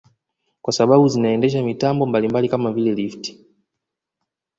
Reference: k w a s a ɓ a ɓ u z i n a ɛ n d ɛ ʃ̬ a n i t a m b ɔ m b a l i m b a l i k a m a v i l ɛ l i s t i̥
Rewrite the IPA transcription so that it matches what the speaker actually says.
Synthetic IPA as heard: k w a s a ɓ a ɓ u z i n a ɛ n d ɛ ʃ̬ a m i t a m b ɔ m b a l i m b a l i k a m a v i l ɛ l i f t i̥